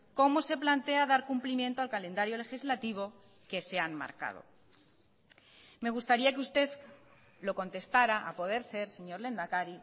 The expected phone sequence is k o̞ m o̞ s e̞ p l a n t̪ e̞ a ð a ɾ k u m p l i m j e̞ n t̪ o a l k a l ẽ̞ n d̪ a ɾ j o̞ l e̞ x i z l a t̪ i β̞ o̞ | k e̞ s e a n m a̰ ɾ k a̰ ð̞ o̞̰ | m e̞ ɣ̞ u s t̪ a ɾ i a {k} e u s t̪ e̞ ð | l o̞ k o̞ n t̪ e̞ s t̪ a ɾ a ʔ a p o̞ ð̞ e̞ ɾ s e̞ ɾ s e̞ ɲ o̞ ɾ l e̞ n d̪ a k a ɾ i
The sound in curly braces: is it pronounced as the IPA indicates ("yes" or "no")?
yes